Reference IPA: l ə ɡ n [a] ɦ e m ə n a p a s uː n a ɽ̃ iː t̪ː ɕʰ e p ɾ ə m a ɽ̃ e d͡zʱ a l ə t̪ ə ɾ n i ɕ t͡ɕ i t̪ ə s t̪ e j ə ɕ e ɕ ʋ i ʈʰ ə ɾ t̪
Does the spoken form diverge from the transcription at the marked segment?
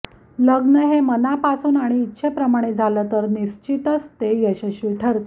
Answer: yes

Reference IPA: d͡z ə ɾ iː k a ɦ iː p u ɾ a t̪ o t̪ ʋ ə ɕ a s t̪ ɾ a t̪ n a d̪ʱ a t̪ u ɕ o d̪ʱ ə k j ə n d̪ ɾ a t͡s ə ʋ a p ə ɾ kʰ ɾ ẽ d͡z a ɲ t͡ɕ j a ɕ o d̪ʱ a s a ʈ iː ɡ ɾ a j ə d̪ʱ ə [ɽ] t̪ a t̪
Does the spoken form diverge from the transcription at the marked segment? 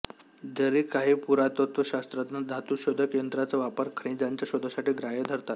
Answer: yes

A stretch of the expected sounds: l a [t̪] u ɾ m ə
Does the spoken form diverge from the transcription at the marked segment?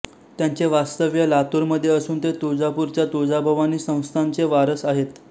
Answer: no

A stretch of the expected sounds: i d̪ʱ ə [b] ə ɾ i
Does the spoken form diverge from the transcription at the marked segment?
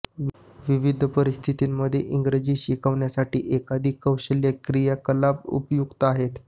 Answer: yes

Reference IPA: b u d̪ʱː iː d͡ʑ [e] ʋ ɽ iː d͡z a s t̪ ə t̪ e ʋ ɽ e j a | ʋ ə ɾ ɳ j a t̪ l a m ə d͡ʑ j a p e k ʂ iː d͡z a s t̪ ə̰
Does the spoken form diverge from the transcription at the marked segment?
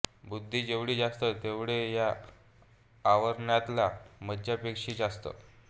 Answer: no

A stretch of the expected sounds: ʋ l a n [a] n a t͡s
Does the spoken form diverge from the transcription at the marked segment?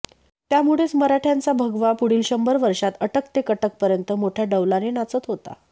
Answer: yes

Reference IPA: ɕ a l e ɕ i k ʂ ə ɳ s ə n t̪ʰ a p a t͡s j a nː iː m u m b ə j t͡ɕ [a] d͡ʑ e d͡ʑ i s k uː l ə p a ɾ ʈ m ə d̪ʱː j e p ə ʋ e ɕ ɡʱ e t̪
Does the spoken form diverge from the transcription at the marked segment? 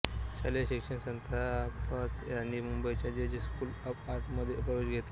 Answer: no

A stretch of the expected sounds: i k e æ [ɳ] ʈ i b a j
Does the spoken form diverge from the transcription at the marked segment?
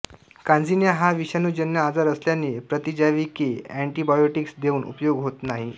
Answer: no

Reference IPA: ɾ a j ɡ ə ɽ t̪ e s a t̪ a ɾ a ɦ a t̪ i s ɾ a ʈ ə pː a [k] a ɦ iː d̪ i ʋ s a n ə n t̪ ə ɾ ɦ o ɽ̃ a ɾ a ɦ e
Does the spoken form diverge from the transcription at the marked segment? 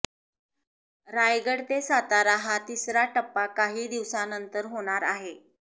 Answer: no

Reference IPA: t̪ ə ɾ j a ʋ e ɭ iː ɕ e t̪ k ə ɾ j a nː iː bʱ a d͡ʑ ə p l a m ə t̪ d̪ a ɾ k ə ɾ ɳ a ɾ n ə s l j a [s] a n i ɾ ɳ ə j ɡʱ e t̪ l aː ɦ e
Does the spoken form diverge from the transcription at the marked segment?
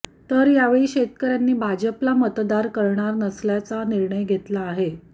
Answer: yes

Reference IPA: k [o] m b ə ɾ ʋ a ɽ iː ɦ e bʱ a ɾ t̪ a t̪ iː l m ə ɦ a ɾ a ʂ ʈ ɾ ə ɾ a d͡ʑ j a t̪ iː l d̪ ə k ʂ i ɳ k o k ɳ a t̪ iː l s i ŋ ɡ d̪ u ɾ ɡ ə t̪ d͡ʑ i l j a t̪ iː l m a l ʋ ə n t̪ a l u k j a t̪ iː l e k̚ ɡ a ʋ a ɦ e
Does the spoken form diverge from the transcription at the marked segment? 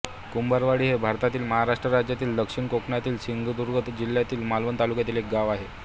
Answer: yes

